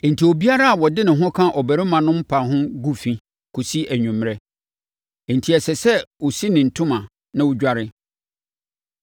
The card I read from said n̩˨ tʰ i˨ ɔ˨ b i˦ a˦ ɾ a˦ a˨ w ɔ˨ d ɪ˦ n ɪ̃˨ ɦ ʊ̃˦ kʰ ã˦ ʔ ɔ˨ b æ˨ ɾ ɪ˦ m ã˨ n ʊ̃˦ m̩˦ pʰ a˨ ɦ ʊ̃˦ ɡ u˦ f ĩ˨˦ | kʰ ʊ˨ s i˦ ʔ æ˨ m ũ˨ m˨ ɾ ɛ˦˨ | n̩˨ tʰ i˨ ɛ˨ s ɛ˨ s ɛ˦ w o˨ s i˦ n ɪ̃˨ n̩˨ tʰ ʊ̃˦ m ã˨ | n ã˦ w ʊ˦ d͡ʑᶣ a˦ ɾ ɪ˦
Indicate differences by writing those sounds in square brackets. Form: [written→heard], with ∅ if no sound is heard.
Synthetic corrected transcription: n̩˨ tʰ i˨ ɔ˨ b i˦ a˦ ɾ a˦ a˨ w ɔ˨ d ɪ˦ n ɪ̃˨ ɦ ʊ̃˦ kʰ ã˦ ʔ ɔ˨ b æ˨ ɾ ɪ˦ m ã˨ n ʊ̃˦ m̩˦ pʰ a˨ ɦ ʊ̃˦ ɡ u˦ f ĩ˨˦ | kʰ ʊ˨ s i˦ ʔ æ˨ [m→ɲ] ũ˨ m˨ ɾ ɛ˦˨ | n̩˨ tʰ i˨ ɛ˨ s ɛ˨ s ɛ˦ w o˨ s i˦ n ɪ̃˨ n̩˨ tʰ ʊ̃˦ m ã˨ | n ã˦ w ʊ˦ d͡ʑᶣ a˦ ɾ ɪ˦